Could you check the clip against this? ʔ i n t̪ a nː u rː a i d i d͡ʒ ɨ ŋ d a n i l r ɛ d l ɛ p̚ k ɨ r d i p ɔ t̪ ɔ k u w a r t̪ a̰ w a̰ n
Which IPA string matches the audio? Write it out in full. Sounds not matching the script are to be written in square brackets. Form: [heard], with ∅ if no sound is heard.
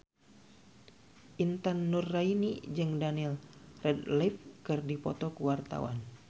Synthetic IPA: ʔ i n t̪ a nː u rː a i [n] i d͡ʒ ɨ ŋ d a n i l r ɛ d l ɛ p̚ k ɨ r d i p ɔ t̪ ɔ k u w a r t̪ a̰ w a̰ n